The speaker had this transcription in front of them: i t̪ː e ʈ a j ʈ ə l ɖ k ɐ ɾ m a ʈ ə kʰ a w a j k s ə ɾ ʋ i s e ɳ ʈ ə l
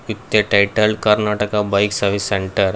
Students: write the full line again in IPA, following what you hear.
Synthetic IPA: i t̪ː e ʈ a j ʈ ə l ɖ k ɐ ɾ n a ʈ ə k a b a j k s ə ɾ ʋ i s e ɳ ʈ ə ɾ